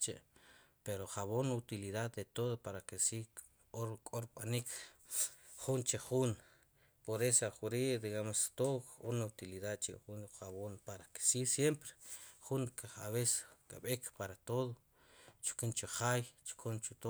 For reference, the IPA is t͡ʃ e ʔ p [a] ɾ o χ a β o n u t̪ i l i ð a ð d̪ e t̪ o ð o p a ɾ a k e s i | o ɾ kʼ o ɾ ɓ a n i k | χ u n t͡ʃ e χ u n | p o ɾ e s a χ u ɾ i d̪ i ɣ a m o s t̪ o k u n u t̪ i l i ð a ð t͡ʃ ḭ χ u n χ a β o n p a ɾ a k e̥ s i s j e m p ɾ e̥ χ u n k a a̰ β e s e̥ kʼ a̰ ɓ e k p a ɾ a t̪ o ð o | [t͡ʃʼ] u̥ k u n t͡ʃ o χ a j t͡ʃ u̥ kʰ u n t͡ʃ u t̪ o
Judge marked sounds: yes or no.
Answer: no, no

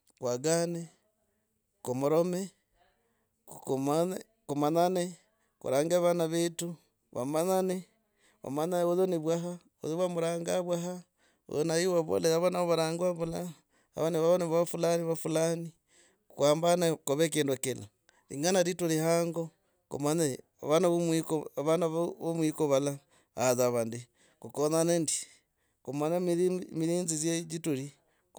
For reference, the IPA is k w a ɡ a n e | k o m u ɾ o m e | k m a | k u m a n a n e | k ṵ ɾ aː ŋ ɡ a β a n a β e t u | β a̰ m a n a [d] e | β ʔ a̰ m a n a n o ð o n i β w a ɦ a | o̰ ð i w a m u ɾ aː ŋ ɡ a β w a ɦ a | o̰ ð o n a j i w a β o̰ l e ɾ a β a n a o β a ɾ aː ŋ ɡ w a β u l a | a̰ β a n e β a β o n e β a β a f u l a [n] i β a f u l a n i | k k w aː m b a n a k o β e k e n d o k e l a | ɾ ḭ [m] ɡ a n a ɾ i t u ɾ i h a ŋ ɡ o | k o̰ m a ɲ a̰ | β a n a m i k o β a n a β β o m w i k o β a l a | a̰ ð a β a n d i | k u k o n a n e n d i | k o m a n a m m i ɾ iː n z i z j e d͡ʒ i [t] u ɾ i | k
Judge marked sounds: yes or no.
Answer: no, yes, no, yes

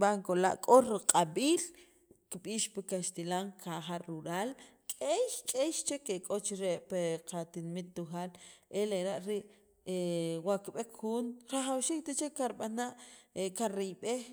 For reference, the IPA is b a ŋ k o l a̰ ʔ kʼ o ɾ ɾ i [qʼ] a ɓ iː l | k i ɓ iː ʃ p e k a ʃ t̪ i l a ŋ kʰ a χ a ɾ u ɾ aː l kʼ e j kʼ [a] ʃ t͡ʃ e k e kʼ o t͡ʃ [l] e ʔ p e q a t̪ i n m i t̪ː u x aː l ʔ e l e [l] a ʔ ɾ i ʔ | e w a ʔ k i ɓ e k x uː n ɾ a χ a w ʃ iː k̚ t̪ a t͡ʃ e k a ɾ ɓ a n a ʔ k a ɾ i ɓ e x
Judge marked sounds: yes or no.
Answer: yes, no, no, no

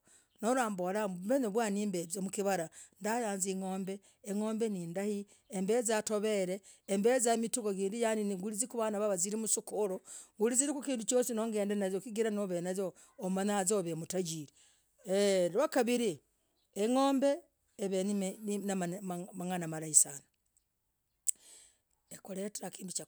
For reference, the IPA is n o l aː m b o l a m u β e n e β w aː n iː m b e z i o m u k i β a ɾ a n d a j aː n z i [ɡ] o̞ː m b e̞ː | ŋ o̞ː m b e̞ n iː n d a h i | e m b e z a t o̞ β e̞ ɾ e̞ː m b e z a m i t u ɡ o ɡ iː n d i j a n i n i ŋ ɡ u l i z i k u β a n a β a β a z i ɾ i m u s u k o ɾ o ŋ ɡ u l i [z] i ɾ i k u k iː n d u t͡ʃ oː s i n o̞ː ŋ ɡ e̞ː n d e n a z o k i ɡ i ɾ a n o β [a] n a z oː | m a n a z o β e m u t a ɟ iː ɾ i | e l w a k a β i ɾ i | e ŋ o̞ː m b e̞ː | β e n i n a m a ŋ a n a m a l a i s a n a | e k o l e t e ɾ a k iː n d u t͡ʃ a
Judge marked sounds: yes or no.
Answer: no, yes, no

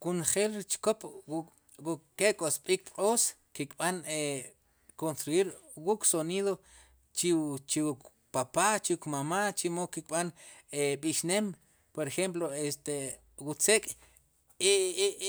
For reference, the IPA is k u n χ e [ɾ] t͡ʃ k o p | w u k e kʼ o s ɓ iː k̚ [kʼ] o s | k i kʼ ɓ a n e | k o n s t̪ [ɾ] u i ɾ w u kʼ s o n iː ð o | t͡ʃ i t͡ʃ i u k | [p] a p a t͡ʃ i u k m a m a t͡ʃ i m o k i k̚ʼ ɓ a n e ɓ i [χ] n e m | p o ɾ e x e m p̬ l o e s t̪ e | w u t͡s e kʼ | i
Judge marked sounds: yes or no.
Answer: no, no, yes, yes, no

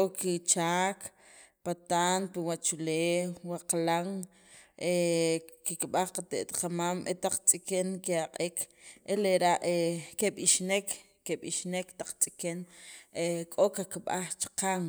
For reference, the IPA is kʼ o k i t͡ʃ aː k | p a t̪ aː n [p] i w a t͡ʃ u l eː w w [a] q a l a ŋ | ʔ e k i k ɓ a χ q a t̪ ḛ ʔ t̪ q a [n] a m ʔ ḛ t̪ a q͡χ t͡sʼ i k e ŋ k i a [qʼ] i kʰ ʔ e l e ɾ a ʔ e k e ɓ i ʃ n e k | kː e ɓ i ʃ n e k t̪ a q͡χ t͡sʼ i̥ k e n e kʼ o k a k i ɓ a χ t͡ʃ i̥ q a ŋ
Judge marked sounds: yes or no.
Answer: yes, yes, no, yes

